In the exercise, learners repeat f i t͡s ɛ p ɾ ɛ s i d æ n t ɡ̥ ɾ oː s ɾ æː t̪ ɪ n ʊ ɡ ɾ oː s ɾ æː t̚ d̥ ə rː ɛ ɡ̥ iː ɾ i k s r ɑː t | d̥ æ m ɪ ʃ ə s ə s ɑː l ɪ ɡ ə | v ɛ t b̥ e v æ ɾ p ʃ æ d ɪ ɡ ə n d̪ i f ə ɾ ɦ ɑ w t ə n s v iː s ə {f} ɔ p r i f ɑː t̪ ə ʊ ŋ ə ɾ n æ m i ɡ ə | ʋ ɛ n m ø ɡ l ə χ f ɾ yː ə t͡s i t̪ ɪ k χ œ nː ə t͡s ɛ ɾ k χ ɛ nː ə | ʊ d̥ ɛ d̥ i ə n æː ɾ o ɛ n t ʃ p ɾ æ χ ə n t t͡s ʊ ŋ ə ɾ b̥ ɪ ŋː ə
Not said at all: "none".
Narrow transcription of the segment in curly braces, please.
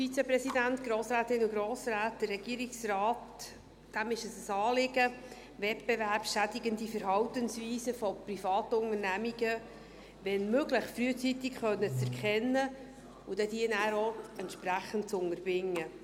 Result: f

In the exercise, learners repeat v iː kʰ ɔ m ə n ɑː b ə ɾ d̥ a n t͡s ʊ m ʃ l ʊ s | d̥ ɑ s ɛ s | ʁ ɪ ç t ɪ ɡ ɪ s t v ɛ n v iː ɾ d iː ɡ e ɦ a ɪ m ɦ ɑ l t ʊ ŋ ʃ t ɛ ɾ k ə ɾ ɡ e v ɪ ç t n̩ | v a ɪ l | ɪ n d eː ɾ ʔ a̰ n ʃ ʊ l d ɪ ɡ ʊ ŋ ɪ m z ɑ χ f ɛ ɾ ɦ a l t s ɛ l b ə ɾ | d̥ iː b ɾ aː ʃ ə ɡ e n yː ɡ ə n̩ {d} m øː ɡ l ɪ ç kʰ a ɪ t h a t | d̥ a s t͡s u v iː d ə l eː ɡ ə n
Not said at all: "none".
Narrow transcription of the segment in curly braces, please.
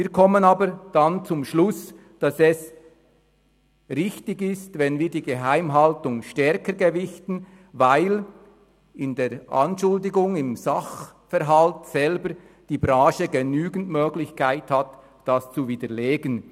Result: t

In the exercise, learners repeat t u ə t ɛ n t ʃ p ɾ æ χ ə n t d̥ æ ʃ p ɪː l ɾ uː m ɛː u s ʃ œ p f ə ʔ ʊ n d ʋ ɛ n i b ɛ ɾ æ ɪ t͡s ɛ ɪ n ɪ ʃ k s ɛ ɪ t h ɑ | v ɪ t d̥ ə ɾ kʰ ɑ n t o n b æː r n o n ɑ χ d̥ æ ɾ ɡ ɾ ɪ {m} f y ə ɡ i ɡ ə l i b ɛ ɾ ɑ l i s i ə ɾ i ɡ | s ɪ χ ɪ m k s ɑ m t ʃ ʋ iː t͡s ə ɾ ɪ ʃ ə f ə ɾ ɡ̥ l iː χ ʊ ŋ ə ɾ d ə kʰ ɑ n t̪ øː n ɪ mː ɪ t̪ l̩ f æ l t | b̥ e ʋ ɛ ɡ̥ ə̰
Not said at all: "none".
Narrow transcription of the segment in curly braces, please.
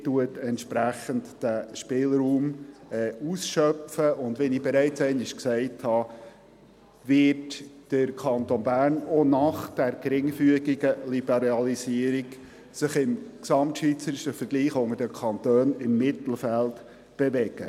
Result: ŋ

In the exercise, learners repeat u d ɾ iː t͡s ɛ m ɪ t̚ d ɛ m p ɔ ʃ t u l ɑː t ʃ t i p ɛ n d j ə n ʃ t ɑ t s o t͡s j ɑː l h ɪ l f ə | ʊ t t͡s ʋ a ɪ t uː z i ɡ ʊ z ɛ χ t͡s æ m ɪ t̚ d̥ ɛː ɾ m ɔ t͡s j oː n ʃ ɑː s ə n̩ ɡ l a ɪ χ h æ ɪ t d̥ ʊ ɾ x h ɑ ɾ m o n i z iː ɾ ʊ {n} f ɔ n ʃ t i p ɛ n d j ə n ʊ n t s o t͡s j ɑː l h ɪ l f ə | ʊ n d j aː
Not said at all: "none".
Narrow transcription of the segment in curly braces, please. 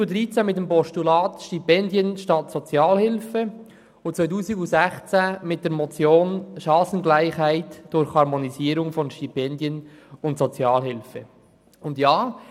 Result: ŋ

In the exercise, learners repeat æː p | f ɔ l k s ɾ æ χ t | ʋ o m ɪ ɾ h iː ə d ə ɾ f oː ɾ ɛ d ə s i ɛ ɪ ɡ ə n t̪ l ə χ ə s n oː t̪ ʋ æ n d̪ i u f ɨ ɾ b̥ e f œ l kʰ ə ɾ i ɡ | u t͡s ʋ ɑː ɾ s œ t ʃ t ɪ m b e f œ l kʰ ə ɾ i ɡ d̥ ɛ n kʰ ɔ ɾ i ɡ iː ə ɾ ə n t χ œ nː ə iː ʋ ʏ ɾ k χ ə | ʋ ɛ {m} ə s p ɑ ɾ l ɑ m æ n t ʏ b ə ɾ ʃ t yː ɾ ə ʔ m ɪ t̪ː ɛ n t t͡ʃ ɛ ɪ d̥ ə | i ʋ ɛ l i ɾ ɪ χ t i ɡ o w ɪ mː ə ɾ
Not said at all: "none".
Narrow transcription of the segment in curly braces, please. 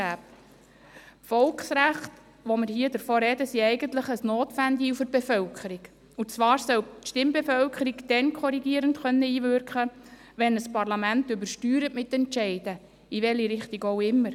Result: n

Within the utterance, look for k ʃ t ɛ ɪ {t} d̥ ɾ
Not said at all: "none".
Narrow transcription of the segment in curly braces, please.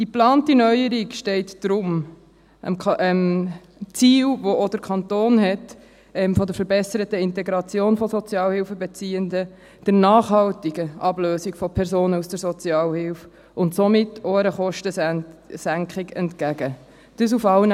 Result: t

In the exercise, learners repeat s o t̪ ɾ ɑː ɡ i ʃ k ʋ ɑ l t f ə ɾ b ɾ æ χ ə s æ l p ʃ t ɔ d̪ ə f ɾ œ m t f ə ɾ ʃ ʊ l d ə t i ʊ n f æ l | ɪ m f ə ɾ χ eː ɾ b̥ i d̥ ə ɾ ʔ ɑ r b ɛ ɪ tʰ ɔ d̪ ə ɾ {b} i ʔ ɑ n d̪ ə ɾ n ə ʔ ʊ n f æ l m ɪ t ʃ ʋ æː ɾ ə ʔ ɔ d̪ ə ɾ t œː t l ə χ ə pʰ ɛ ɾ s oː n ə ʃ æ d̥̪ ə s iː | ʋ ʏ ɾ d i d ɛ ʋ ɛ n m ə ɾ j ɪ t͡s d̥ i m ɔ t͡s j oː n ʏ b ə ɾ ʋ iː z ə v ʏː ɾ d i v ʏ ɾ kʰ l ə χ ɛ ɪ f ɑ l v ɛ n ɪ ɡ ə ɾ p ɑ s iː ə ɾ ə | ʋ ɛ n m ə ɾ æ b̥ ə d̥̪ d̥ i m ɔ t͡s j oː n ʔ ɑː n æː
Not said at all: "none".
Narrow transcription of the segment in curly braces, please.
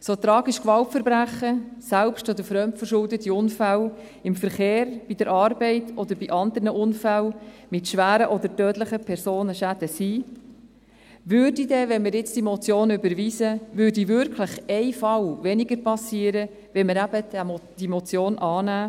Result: b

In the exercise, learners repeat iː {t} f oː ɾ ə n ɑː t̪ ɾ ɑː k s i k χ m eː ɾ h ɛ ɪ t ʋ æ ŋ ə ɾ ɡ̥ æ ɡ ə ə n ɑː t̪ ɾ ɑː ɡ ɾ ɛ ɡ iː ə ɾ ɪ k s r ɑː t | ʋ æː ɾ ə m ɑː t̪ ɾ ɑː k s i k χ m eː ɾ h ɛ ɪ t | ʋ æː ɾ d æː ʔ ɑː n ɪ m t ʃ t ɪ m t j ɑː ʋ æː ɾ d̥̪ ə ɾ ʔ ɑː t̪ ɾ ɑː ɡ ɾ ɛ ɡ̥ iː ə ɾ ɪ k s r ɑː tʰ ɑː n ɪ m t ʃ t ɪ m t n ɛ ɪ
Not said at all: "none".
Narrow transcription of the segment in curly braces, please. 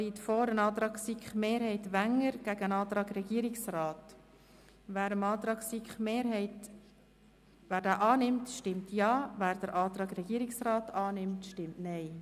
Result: t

